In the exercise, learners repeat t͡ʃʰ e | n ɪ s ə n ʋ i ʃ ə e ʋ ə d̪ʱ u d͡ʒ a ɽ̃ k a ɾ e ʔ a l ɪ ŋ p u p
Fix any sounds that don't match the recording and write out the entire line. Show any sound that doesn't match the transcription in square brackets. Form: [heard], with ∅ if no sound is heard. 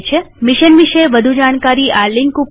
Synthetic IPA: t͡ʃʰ e | [m] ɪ [ʃ] ə n ʋ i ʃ ə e ʋ ə d̪ʱ u d͡ʒ a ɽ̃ k a ɾ [i] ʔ a l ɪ ŋ [k] u p

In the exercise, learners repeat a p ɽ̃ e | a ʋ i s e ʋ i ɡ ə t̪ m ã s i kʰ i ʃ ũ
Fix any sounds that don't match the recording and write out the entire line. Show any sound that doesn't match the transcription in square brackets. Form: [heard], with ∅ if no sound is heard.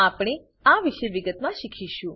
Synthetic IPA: a p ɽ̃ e | a ʋ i [ʃ] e ʋ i ɡ ə t̪ m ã [ʃ] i kʰ i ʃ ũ

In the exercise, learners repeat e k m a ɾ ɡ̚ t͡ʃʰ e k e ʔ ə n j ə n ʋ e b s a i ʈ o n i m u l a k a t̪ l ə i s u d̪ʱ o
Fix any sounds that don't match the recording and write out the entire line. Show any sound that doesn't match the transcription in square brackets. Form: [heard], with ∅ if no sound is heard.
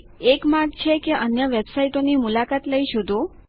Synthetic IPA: e k m a ɾ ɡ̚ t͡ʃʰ e k e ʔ ə n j ə [∅] ʋ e b s a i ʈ o n i m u l a k a t̪ l ə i [ʃ] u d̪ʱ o

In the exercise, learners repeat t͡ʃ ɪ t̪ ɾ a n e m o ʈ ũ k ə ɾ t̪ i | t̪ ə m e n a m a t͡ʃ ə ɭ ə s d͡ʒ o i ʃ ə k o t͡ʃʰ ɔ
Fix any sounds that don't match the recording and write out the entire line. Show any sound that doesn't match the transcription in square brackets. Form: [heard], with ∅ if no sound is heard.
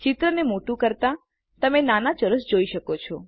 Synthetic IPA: t͡ʃ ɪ t̪ ɾ [ə] n e m o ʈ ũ k ə ɾ t̪ [a] | t̪ ə m e n a [n] a t͡ʃ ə [ɾ] ə s d͡ʒ o i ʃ ə k o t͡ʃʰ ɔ

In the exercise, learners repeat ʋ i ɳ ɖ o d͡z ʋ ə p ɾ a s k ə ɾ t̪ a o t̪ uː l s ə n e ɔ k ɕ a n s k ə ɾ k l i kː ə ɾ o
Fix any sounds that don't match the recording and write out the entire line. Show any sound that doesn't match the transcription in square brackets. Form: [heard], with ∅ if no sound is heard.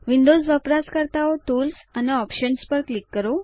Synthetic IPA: ʋ i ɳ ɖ o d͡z ʋ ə p ɾ a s k ə ɾ t̪ a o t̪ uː l s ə n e ɔ [p] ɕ [ə] n s [p] ə ɾ k l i kː ə ɾ o

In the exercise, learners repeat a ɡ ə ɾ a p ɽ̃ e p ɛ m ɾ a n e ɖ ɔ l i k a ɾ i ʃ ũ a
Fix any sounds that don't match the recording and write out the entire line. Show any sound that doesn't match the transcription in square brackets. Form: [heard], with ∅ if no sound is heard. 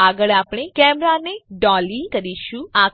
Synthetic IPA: a ɡ ə [ɭ] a p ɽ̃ e [k] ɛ m ɾ a n e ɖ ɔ l i k [ə] ɾ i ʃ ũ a

